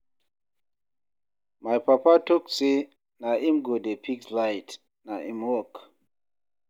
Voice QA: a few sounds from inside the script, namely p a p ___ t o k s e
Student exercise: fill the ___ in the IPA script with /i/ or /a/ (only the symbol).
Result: a